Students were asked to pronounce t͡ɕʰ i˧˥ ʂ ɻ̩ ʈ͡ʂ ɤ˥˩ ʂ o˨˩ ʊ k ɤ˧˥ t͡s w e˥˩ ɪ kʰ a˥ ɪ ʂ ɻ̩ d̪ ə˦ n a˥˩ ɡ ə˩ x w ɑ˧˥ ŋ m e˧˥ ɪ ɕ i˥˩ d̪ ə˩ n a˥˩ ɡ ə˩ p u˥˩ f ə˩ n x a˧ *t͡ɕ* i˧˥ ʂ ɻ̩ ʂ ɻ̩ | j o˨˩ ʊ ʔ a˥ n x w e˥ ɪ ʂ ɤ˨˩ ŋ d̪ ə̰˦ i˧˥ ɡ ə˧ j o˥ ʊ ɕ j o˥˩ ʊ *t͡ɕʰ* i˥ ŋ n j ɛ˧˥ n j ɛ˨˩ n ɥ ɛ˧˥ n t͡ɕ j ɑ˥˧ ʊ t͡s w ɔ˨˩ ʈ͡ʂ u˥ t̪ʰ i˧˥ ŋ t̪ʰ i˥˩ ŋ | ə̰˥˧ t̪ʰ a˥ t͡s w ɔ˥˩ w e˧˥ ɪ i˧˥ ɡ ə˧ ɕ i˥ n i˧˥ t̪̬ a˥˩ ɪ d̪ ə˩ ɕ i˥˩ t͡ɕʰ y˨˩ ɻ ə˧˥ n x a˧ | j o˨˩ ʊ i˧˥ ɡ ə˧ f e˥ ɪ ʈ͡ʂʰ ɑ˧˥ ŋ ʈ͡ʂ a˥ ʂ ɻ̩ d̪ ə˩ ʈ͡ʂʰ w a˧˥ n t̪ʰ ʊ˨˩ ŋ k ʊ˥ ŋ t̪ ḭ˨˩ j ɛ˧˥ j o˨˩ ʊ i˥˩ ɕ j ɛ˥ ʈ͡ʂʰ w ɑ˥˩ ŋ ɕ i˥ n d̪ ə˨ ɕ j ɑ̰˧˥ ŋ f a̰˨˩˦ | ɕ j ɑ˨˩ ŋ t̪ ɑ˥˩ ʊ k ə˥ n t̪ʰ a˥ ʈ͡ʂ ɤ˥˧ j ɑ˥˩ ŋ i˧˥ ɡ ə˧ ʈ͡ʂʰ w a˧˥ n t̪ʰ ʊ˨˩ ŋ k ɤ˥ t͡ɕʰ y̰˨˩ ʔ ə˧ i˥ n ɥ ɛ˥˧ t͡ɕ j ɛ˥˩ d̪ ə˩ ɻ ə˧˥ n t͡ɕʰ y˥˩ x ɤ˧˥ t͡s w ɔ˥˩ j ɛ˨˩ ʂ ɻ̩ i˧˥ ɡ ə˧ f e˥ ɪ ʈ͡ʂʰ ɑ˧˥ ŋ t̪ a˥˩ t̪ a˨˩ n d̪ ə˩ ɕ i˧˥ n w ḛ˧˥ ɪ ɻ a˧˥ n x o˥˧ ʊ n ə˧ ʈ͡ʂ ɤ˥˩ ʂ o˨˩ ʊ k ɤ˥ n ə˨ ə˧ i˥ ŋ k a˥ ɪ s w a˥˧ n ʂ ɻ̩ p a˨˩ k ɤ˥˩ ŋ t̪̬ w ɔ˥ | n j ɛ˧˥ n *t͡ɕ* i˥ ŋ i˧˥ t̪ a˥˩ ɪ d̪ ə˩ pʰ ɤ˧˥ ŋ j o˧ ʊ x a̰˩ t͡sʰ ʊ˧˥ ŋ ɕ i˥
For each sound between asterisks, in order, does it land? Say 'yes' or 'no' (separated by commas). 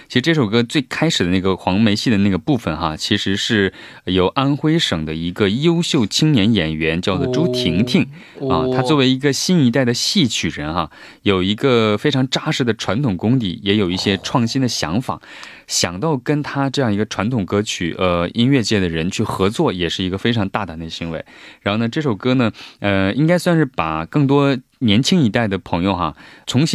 no, yes, no